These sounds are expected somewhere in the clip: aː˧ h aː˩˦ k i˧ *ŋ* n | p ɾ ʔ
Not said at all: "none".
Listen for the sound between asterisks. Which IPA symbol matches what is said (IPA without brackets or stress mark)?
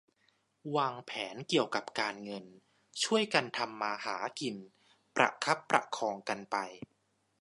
none